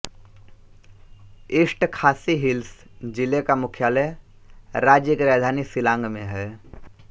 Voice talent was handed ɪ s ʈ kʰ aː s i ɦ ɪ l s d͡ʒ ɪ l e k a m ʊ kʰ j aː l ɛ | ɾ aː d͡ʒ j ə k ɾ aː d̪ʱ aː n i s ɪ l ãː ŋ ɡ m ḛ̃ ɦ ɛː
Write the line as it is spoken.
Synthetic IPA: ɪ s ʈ kʰ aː s i ɦ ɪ l s d͡ʒ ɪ l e k a m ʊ kʰ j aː l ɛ | ɾ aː d͡ʒ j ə k ɾ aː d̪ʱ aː n i s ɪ l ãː ŋ ɡ m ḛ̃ ɦ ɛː

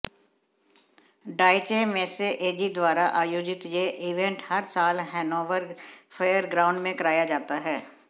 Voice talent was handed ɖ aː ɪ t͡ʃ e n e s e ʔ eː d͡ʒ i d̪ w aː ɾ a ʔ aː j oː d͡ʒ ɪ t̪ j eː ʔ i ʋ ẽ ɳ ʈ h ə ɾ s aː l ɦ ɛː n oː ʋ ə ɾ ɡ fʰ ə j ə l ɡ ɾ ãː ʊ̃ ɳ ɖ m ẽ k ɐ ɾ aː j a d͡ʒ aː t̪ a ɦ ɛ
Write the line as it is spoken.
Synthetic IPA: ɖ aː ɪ t͡ʃ e m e s e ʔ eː d͡ʒ i d̪ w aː ɾ a ʔ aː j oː d͡ʒ ɪ t̪ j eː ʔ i ʋ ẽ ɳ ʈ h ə ɾ s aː l ɦ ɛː n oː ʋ ə ɾ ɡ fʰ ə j ə ɾ ɡ ɾ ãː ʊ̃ ɳ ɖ m ẽ k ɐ ɾ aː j a d͡ʒ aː t̪ a ɦ ɛː

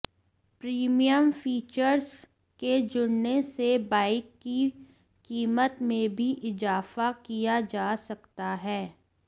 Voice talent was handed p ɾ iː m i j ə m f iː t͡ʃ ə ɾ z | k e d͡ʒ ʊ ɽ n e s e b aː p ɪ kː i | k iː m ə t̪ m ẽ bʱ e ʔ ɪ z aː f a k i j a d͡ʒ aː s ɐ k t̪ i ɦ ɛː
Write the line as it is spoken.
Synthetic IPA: p ɾ iː m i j ə m f iː t͡ʃ ə ɾ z | k e d͡ʒ ʊ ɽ n e s e b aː ɪ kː i | k iː m ə t̪ m ẽ bʱ i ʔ ɪ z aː f a k i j a d͡ʒ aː s ɐ k t̪ a ɦ ɛː

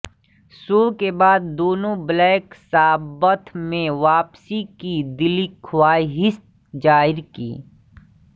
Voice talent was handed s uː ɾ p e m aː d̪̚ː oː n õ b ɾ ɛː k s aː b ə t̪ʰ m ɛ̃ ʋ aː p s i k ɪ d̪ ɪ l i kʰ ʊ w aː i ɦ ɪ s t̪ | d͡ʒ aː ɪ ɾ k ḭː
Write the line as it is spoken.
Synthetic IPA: s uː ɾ k e b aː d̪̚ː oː n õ b l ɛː k s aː b ə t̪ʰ m ẽ ʋ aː p s i k i d̪ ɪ l i kʰ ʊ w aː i ɦ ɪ s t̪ | d͡ʒ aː ɪ ɾ k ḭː

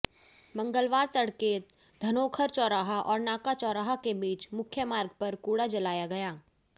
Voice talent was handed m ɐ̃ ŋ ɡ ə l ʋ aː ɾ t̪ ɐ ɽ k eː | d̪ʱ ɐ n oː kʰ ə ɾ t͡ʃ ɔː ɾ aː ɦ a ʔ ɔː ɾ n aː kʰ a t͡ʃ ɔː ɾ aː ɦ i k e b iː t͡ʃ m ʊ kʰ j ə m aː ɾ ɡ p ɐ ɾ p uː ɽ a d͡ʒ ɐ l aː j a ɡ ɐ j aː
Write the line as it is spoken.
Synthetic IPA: m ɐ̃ ŋ ɡ ə l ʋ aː ɾ t̪ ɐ ɽ k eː | d̪ʱ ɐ n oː kʰ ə ɾ t͡ʃ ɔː ɾ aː ɦ a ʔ ɔː ɾ n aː k a t͡ʃ ɔː ɾ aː ɦ a k e b iː t͡ʃ m ʊ kʰ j ə m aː ɾ ɡ p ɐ ɾ k uː ɽ a d͡ʒ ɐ l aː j a ɡ ɐ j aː

